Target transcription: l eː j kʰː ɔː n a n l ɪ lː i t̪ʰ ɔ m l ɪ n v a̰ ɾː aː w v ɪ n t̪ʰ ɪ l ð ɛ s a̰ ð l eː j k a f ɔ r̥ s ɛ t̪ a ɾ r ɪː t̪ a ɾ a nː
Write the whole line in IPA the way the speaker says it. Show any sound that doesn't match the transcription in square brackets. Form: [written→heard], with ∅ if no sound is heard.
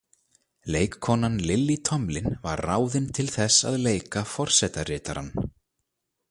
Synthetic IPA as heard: l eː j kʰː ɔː n a n l ɪ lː i t̪ʰ ɔ m l ɪ n v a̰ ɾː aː w [v→ð] ɪ n t̪ʰ ɪ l [ð→θ] ɛ s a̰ ð l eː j k a f ɔ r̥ s ɛ t̪ a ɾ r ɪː t̪ a ɾ a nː